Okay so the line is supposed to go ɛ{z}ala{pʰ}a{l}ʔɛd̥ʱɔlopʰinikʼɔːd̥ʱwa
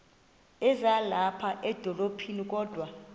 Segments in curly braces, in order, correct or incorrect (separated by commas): correct, correct, incorrect